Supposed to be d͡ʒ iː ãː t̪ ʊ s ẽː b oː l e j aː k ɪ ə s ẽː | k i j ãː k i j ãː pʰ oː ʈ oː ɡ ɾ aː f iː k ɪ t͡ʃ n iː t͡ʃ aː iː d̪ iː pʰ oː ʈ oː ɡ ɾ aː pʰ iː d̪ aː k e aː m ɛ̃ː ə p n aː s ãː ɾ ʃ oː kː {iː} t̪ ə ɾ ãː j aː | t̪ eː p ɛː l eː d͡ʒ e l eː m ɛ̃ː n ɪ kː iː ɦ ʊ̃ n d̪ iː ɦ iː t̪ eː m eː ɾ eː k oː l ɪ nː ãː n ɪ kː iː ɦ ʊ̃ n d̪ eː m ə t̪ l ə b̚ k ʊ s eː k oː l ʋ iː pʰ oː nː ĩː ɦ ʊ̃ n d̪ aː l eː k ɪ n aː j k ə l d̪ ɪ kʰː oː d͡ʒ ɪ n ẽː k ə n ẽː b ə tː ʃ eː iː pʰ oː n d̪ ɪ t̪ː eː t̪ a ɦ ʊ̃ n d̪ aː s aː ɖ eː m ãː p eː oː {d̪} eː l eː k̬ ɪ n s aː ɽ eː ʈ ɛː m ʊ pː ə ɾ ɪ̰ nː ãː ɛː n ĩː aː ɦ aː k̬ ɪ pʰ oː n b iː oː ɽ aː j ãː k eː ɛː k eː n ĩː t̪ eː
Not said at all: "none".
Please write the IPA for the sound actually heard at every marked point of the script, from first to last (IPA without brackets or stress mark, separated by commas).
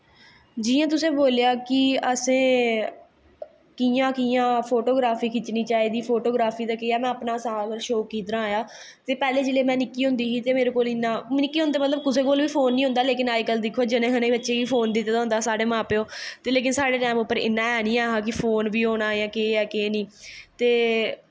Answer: iː, t̪